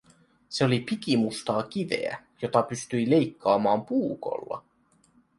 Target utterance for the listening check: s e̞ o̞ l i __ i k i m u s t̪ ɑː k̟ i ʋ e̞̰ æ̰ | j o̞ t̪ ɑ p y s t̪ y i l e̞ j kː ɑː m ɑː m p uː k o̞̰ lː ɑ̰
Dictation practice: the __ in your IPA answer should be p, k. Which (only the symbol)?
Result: p